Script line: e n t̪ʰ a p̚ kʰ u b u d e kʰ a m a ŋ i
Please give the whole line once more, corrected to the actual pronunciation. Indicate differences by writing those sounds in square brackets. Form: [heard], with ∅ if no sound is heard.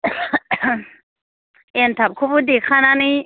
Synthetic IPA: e n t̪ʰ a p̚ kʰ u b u d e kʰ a [n] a [n] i

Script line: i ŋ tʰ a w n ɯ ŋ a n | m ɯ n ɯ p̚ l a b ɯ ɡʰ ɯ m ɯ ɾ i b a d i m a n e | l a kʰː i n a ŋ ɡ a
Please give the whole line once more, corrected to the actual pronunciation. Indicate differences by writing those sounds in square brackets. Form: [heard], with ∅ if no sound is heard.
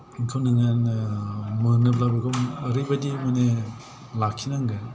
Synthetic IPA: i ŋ [kʰ] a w n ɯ ŋ a n | m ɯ n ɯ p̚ l a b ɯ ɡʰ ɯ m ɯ ɾ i b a d i m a n e | l a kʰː i n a ŋ ɡ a

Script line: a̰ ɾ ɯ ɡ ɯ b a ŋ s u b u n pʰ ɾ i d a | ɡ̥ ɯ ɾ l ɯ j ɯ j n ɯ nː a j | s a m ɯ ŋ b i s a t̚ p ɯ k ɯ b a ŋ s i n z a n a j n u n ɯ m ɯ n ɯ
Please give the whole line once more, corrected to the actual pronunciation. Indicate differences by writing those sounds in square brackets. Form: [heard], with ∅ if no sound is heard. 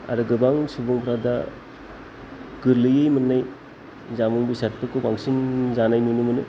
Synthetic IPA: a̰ ɾ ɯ ɡ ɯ b a ŋ s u b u [ŋ] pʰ ɾ [a] d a | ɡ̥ ɯ ɾ l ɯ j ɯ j [m] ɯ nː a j | [z] a m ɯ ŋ b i s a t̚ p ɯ k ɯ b a ŋ s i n z a n a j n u n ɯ m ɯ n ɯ

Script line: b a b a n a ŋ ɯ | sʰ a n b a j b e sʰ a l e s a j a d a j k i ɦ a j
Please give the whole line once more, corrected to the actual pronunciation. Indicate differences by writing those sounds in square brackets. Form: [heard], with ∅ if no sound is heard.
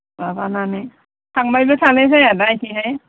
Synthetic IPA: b a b a n a [n] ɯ | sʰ a [ŋ] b a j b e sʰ a l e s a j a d a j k i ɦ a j

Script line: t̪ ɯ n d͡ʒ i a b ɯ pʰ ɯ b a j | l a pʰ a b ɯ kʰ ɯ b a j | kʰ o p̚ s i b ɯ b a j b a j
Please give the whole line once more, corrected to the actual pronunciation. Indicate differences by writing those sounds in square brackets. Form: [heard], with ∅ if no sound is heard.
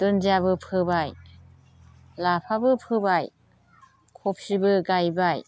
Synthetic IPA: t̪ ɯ n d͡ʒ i a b ɯ pʰ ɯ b a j | l a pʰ a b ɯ [pʰ] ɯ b a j | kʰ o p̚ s i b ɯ [ɡ] a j b a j

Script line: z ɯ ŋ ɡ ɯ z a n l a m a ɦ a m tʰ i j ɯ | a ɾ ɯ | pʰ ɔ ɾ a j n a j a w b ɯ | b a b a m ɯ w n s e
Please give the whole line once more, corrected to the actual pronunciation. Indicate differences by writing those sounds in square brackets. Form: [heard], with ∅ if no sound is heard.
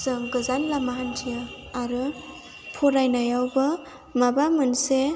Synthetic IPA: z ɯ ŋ ɡ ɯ z a n l a m a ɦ a [n] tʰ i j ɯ | a ɾ ɯ | pʰ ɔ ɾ a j n a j a w b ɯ | [m] a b a m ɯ [∅] n s e

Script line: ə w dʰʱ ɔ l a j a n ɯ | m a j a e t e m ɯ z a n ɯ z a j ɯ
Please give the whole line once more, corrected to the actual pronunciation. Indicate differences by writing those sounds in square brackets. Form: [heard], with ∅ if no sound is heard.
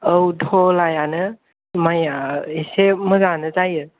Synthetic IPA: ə w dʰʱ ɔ l a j a n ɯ | m a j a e [s] e m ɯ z a n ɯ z a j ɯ

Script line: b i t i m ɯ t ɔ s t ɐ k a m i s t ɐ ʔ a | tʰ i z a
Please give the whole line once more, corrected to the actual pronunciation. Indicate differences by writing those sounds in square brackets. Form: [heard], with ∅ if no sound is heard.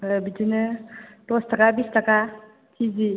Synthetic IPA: b i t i [n] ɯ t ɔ s t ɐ k a [b] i s t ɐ [k] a | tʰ i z [i]

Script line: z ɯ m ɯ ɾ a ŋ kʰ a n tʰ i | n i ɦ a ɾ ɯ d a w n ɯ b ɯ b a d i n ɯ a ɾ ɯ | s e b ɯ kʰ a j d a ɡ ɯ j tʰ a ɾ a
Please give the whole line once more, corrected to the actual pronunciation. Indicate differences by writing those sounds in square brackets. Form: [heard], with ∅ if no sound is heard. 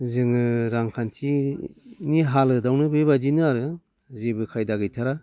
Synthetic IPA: z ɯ [ŋ] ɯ ɾ a ŋ kʰ a n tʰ i | n i ɦ a [l] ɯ d a w n ɯ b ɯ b a d i n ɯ a ɾ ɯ | [z] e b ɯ kʰ a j d a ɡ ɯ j tʰ a ɾ a

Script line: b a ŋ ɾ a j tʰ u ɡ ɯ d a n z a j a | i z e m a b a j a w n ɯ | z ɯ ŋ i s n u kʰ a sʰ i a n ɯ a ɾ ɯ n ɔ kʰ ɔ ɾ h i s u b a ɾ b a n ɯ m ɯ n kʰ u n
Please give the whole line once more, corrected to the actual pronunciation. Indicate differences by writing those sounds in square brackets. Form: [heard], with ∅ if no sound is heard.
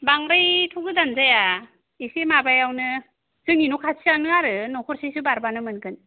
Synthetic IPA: b a ŋ ɾ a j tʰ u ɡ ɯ d a n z a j a | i [s] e m a b a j a w n ɯ | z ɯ ŋ i [∅] n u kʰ a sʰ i a n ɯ a ɾ ɯ n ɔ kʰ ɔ ɾ [s] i s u b a ɾ b a n ɯ m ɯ n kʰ [ɯ] n

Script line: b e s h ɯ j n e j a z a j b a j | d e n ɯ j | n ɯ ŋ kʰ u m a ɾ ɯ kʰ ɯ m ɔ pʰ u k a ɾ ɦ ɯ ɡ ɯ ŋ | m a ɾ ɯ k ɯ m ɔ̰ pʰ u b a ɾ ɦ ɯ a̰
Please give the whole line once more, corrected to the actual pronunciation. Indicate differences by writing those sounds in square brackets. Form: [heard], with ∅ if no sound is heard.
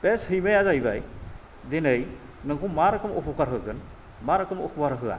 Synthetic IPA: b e s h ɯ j [m] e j a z a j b a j | d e n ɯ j | n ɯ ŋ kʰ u m a ɾ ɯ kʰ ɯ m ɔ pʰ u k a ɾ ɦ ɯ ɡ ɯ [n] | m a ɾ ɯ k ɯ m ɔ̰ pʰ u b a ɾ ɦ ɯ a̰

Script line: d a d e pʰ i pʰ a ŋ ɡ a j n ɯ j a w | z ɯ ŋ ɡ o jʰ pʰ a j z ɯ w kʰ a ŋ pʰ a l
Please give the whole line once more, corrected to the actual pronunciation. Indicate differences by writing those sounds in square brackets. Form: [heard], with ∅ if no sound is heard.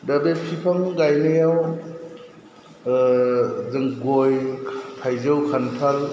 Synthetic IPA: d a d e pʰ i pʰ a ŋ ɡ a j n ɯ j a w | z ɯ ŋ ɡ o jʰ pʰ a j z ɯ w kʰ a [n] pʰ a l

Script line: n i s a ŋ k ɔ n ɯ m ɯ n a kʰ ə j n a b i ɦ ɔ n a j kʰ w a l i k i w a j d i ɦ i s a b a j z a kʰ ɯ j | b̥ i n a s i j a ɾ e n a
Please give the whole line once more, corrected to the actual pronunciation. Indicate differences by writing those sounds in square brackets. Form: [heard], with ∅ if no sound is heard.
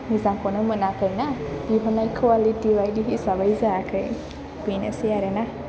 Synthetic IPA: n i [z] a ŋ k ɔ n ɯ m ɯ n a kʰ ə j n a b i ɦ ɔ n a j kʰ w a l i [t] i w a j d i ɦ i s a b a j z a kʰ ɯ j | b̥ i n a s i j a ɾ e n a

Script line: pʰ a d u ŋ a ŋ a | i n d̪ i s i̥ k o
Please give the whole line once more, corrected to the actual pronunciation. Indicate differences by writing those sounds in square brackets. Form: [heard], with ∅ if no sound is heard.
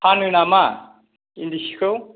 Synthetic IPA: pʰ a [n] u [n] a [m] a | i n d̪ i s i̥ k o

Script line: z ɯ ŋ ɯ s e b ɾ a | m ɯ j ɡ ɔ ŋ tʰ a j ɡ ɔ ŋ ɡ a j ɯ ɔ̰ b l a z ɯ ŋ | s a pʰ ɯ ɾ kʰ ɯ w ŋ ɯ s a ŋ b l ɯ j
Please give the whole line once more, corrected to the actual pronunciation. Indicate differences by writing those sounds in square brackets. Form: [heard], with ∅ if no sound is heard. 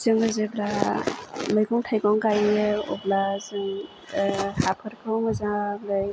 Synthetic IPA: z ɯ ŋ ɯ [z] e b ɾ a | m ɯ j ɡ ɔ ŋ tʰ a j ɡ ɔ ŋ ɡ a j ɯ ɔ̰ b l a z ɯ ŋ | [h] a pʰ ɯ ɾ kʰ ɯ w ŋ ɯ [z] a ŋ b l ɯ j

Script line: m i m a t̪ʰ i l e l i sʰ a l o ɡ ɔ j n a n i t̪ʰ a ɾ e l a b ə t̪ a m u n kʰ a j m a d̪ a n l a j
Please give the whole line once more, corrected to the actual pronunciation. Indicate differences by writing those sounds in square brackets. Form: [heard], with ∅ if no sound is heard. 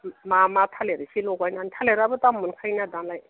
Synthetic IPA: m [a] m a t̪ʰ [a] l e [ɾ] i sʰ [i] l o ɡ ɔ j n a n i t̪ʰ a [l] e [ɾ] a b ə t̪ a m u n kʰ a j [n] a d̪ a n l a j

